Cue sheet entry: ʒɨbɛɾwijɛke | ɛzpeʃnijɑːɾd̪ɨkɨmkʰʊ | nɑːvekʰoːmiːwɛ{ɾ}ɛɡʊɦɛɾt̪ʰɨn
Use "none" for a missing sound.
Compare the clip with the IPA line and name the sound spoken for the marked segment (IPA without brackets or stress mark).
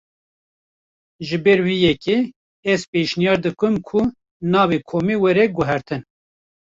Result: ɾ